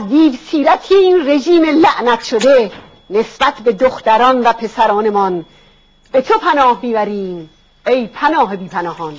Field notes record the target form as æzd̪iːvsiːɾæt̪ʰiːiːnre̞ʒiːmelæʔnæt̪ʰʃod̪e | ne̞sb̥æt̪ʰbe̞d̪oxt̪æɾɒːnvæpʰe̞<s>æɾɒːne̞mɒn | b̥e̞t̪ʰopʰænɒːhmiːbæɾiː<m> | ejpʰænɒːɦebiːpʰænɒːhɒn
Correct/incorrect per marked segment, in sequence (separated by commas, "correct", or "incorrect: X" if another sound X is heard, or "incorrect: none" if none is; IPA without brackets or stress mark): correct, correct